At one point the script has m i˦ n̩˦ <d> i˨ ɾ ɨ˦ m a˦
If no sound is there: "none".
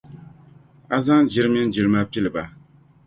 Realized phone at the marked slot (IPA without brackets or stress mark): d͡ʒ